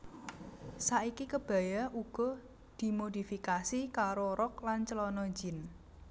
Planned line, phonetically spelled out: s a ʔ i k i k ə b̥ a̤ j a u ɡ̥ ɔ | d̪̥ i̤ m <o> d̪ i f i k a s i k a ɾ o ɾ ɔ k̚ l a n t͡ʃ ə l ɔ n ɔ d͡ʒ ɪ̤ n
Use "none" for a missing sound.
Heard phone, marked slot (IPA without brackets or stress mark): o